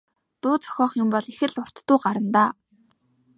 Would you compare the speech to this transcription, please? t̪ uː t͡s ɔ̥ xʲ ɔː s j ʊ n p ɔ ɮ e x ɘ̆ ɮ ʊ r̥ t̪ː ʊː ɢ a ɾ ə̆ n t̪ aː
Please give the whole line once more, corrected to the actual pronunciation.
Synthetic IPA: t̪ ʊː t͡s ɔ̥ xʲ ɔː χ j ʊ m p ɔ ɮ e x ɘ̆ ɮ ʊ r̥ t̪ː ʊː ɢ a ɾ ə̆ n t̪ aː